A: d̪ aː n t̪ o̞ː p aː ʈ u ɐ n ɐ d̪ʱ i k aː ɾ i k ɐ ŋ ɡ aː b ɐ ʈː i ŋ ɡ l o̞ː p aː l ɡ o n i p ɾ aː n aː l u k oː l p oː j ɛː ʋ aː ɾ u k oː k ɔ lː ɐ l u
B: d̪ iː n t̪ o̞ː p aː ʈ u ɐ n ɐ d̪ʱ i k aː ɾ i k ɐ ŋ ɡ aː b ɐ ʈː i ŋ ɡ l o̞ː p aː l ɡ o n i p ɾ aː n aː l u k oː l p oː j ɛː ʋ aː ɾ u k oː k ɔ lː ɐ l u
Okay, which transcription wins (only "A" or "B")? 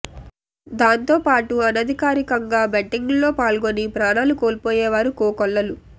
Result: A